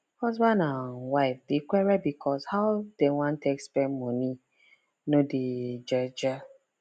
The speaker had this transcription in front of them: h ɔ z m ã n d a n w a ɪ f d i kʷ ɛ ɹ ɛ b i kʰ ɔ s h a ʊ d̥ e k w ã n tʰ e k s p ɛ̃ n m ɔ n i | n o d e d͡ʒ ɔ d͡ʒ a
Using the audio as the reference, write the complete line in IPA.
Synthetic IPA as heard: h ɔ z b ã n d a n w a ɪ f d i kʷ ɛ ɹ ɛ b i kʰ ɔ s h a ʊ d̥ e w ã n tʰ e k s p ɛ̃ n m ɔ n i | n o d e d͡ʒ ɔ d͡ʒ a